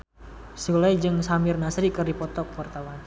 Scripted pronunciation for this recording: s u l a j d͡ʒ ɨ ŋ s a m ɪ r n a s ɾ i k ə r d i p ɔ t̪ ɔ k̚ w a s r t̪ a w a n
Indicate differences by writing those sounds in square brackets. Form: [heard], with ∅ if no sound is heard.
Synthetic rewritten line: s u l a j d͡ʒ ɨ ŋ s a m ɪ r n a s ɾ i k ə r d i p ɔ t̪ ɔ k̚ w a [∅] r t̪ a w a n